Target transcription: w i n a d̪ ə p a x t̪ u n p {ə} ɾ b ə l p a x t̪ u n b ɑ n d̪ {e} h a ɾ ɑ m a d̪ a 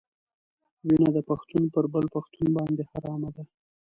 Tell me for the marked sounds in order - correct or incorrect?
correct, correct

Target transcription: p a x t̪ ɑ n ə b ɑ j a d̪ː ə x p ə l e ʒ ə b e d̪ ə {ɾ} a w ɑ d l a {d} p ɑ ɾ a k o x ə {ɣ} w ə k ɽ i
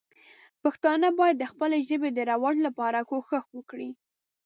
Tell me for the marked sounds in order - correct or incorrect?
correct, incorrect: none, incorrect: x

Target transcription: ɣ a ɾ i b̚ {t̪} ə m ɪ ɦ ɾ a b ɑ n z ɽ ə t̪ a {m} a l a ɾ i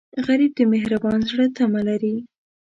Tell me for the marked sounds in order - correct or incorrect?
incorrect: d̪, correct

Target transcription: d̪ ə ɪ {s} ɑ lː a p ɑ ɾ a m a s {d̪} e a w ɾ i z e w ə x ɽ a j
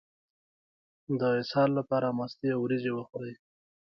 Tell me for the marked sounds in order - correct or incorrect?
correct, incorrect: t̪

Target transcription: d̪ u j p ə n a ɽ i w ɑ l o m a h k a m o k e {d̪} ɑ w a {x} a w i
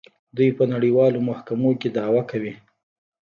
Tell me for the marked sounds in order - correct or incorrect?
correct, incorrect: k

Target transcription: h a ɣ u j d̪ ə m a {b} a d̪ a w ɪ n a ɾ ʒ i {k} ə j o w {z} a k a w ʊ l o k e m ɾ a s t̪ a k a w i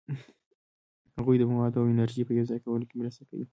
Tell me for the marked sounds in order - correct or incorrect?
incorrect: w, incorrect: p, correct

